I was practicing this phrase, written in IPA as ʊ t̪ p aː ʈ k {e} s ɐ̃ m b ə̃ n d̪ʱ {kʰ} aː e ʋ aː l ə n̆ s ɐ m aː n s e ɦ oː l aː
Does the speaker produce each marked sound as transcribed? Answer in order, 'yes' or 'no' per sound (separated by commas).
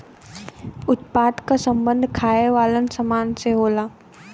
no, yes